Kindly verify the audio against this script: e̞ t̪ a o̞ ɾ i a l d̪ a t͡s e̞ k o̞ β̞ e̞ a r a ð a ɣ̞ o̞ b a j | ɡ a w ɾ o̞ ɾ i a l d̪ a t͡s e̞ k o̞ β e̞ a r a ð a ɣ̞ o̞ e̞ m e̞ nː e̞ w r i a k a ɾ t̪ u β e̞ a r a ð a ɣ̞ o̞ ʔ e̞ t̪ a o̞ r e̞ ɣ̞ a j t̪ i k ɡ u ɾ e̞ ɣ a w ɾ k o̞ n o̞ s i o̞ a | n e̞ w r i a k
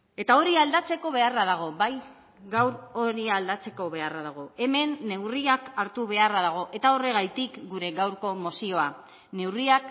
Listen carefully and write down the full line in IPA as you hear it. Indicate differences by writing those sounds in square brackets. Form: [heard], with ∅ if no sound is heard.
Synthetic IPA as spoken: e̞ t̪ a o̞ ɾ i a l d̪ a t͡s e̞ k o̞ β̞ e̞ a r a ð a ɣ̞ o̞ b a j | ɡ a w ɾ o̞ ɾ i a l d̪ a t͡s e̞ k o̞ β e̞ a r a ð a ɣ̞ o̞ e̞ m e̞ nː e̞ w r i a k a ɾ t̪ u β e̞ a r a ð a ɣ̞ o̞ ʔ e̞ t̪ a o̞ r e̞ ɣ̞ a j t̪ i k ɡ u ɾ e̞ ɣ a w ɾ k o̞ [m] o̞ s i o̞ a | n e̞ w r i a k